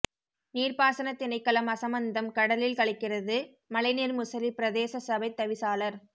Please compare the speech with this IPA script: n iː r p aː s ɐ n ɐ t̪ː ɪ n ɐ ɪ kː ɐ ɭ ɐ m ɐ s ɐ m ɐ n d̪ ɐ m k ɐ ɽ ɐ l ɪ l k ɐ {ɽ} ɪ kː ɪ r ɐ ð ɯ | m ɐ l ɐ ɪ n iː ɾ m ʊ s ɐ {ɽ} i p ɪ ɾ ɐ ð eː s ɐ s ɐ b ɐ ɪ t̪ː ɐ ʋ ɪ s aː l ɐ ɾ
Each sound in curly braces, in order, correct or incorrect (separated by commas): incorrect, incorrect